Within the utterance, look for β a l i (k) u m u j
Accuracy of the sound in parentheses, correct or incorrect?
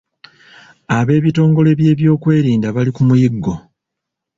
correct